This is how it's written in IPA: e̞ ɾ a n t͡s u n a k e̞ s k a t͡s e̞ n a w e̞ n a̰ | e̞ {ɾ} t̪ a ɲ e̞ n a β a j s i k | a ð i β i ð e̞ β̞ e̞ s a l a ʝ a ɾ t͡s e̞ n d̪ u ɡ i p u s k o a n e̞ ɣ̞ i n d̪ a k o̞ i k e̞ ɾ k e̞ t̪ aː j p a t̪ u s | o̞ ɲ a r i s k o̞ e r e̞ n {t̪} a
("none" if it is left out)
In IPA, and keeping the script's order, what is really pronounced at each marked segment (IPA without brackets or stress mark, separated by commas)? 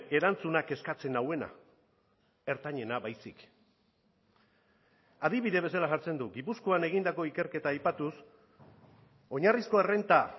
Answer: ɾ, t̪